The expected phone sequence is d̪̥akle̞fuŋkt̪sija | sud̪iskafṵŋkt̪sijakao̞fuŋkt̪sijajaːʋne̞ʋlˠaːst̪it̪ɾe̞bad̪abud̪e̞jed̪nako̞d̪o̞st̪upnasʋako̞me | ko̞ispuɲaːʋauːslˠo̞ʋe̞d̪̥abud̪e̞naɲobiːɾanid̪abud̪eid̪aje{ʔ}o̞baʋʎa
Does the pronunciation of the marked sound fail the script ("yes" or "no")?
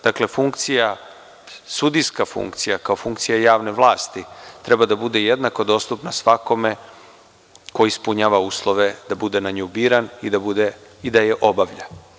no